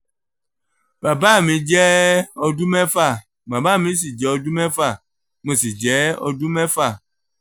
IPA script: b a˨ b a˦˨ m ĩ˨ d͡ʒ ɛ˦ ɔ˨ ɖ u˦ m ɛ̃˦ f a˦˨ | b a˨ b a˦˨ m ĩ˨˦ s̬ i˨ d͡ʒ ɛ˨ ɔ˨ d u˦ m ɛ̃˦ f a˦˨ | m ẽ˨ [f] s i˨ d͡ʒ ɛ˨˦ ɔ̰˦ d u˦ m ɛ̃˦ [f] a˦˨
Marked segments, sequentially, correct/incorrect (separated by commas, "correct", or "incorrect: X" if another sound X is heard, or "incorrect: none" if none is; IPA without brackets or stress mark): incorrect: none, correct